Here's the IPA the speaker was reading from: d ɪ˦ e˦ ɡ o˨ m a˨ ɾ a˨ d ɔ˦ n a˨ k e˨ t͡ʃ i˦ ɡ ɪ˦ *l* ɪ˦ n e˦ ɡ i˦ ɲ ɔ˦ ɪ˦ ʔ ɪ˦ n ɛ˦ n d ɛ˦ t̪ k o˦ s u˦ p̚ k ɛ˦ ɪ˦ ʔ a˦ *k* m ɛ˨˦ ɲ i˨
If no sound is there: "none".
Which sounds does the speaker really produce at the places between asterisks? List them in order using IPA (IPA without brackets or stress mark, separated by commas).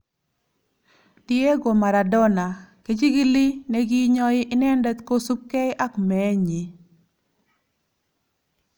l, k